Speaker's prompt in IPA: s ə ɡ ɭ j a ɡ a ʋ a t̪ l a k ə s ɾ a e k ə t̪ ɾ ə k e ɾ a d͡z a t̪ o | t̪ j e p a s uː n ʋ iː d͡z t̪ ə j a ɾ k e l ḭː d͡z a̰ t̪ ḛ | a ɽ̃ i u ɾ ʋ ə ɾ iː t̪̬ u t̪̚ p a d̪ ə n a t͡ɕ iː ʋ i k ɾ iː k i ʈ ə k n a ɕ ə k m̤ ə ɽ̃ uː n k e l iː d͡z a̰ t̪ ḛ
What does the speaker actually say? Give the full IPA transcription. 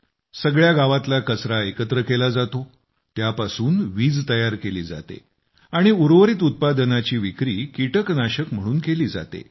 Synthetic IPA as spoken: s ə ɡ ɭ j a ɡ a ʋ a t̪ l a k ə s ɾ a e k ə t̪ ɾ ə k e l a d͡z a t̪ o | t̪ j a p a s uː n ʋ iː d͡z t̪ ə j a ɾ k e l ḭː d͡z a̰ t̪ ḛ | a ɽ̃ i u ɾ ʋ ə ɾ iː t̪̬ u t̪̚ p a d̪ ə n a t͡ɕ iː ʋ i k ɾ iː k i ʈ ə k n a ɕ ə k m̤ ə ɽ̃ uː n k e l iː d͡z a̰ t̪ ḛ